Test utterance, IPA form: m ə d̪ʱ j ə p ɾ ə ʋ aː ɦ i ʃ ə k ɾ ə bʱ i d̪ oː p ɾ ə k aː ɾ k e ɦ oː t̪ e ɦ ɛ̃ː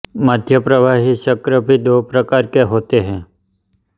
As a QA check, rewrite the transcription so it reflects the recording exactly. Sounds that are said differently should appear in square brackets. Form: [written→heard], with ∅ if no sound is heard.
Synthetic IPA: m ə d̪ʱ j ə p ɾ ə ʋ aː ɦ i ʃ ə k ɾ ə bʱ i d̪ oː p ɾ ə k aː ɾ k e ɦ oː t̪ e ɦ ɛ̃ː